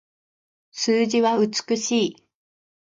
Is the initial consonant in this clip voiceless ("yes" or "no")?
yes